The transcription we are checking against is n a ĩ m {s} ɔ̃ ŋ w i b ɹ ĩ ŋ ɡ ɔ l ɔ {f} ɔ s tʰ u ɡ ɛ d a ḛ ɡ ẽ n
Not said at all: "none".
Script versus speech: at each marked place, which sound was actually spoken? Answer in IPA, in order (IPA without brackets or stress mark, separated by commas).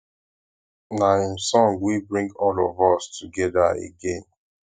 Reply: s, v